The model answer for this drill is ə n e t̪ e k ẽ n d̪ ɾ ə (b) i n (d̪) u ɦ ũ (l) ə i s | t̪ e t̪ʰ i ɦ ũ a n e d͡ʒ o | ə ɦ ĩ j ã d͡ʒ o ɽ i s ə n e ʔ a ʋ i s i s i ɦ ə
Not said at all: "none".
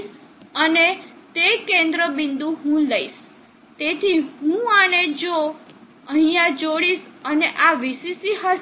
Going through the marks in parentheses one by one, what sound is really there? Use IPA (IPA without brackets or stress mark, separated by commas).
b, d̪, l